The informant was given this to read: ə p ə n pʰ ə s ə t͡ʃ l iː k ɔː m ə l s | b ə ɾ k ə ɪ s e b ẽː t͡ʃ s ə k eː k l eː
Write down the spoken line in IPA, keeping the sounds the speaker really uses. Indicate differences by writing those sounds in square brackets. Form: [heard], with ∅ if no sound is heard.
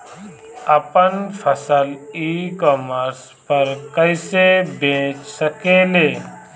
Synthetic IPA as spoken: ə p ə n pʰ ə s ə [∅] l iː k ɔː m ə [ɾ] s | [p] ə ɾ k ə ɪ s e b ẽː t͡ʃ s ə k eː [∅] l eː